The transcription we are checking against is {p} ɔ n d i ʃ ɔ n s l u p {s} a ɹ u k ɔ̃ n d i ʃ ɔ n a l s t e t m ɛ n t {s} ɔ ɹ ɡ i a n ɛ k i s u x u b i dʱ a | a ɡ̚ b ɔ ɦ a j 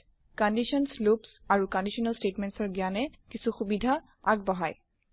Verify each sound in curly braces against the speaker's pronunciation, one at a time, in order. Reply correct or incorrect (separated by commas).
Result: incorrect, correct, correct